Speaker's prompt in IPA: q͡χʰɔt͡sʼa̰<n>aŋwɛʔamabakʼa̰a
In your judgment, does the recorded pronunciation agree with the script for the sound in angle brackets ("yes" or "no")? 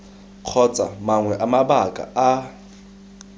no